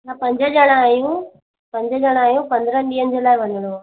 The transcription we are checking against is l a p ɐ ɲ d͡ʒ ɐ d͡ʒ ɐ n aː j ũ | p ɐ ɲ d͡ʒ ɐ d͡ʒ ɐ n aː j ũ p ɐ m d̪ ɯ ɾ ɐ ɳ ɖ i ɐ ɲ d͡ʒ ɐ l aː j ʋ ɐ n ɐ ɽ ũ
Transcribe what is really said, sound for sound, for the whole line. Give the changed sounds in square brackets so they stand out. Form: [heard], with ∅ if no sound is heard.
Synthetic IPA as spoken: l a p ɐ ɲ d͡ʒ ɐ d͡ʒ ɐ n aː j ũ | p ɐ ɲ d͡ʒ ɐ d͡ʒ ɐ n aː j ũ p ɐ [n] d̪ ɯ ɾ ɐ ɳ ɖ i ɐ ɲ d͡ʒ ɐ l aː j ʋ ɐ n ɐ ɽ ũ